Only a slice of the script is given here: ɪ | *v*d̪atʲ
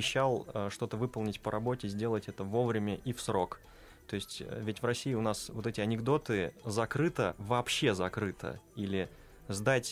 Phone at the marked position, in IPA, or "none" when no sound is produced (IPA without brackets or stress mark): z